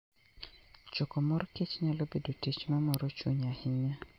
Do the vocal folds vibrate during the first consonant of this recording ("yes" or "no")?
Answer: no